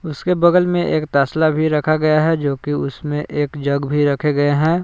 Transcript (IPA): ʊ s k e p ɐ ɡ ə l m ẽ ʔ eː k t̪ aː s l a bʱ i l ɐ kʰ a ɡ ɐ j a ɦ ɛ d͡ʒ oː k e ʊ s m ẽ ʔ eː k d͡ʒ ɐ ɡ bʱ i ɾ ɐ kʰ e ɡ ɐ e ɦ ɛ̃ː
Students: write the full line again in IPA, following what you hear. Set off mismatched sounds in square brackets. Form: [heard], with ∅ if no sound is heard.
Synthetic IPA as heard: ʊ s k e [b] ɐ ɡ ə l m ẽ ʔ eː k t̪ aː s l a bʱ i [ɾ] ɐ kʰ a ɡ ɐ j a ɦ ɛ d͡ʒ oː k [i] ʊ s m ẽ ʔ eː k d͡ʒ ɐ ɡ bʱ i ɾ ɐ kʰ e ɡ ɐ e ɦ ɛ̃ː